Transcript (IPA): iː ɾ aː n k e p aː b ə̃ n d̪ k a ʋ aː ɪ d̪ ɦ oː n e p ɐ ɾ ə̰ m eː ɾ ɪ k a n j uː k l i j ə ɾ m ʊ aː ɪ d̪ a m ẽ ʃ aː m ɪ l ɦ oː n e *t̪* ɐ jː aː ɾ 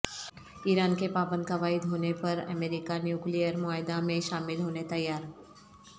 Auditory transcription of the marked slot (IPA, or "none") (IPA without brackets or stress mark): t̪